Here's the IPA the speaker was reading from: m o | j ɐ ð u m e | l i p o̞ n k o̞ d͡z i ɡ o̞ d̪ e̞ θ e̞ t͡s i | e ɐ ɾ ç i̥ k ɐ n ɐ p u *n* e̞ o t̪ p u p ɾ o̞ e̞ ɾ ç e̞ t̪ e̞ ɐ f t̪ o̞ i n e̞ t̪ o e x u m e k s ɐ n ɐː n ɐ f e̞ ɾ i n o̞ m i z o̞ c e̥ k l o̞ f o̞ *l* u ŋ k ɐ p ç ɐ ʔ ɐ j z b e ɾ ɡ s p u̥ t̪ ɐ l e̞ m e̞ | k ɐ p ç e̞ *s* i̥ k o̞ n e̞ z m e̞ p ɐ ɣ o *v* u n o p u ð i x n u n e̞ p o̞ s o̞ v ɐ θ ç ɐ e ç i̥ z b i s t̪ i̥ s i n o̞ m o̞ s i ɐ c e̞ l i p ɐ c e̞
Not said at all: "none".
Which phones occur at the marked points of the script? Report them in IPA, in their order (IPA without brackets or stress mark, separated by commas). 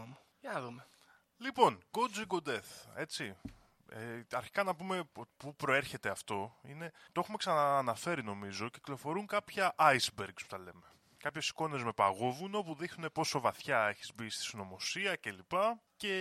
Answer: m, ɾ, s, v